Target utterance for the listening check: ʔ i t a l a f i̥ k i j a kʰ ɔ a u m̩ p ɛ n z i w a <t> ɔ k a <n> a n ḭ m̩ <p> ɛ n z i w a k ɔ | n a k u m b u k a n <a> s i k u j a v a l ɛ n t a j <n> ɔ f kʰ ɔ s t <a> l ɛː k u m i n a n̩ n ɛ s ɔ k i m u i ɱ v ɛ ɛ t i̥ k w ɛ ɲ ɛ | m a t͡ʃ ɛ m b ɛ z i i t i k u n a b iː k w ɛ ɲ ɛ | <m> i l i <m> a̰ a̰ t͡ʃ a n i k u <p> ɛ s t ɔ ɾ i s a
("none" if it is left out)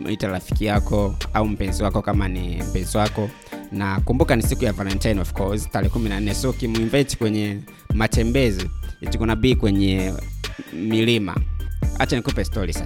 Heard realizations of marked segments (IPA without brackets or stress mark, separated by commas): k, m, p, i, n, a, m, m, p